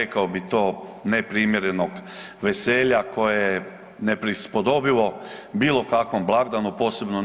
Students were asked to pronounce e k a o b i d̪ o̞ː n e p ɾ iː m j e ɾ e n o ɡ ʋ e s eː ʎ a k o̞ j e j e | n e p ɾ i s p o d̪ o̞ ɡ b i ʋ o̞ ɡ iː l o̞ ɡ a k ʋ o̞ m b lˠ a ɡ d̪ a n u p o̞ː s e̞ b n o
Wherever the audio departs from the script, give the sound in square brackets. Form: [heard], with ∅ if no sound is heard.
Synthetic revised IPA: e k a o b i [t̪] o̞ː n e p ɾ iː m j e ɾ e n o ɡ ʋ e s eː ʎ a k o̞ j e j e | n e p ɾ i s p o d̪ o̞ [∅] b i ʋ o̞ [b] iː l o̞ [k] a k ʋ o̞ m b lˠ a ɡ d̪ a n u p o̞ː s e̞ b n o